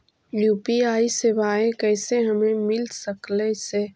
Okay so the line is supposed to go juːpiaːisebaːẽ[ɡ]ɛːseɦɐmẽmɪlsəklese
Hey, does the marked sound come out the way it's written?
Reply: no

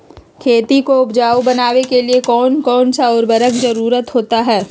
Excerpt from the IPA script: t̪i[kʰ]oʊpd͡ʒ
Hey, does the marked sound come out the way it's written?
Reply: no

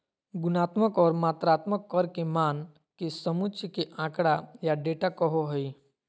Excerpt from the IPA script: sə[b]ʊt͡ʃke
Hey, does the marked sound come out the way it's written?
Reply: no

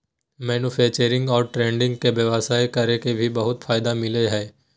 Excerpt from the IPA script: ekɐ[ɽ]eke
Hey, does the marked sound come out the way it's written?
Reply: no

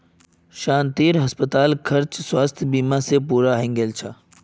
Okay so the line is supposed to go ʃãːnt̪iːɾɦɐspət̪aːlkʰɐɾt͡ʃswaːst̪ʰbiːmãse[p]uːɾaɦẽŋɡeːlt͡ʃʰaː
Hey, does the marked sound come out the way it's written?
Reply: yes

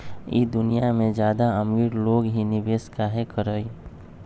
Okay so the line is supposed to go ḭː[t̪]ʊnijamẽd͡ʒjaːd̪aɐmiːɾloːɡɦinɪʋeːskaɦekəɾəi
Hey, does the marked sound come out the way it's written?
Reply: no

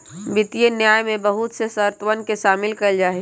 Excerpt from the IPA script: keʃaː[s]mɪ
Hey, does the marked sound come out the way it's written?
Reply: no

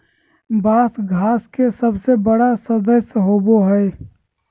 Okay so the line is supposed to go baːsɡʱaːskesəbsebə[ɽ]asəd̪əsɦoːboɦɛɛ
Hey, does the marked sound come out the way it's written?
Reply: yes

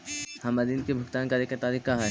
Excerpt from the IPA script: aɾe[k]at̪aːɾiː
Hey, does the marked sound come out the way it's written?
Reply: yes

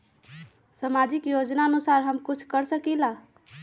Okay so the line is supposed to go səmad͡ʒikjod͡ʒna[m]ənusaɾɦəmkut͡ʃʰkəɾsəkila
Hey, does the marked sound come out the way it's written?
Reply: no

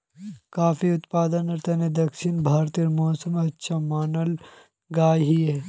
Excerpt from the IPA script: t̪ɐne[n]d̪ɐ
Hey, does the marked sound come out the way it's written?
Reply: no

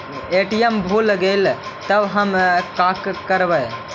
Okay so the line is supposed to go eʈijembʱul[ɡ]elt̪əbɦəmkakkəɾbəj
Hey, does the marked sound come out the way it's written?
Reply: yes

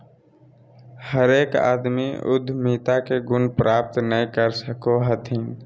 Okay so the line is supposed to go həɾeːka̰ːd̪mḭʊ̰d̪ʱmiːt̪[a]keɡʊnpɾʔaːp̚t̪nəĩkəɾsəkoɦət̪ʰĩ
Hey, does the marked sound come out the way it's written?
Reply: yes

